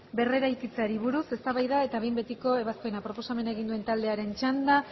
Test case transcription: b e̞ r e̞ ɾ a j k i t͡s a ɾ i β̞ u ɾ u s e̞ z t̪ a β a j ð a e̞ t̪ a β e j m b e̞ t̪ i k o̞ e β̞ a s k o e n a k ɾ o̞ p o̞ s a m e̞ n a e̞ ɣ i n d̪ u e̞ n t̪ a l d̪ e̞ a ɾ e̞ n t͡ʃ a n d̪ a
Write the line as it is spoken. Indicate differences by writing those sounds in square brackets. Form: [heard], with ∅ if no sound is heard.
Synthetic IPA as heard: b e̞ r e̞ ɾ a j k i t͡s a ɾ i β̞ u ɾ u s e̞ [s] t̪ a β a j ð a e̞ t̪ a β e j m b e̞ t̪ i k o̞ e β̞ a s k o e n a [p] ɾ o̞ p o̞ s a m e̞ n a e̞ ɣ i n d̪ u e̞ n t̪ a l d̪ e̞ a ɾ e̞ n t͡ʃ a n d̪ a